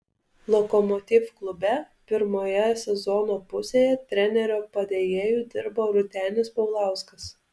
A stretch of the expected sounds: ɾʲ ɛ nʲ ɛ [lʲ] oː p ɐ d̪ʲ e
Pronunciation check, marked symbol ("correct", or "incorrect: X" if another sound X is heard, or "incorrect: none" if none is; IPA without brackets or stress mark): incorrect: ɾʲ